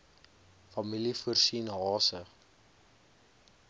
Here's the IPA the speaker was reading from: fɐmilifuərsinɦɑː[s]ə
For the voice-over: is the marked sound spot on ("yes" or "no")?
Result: yes